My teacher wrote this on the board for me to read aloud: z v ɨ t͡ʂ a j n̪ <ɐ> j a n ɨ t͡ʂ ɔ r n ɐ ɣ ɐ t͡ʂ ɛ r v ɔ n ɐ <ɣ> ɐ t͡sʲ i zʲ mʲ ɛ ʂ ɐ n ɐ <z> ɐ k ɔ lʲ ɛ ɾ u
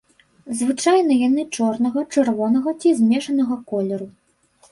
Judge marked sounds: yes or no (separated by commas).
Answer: yes, yes, no